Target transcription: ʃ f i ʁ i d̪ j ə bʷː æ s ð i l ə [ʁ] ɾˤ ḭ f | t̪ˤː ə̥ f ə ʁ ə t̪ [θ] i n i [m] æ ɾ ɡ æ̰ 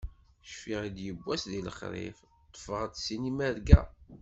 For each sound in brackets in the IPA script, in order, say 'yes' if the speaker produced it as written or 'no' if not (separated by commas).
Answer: no, no, yes